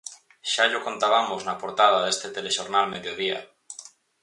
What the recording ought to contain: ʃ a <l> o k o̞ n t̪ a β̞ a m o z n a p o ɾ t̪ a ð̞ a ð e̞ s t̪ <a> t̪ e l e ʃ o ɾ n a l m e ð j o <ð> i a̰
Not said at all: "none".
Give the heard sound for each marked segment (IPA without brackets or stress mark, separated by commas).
ʎ, e, ð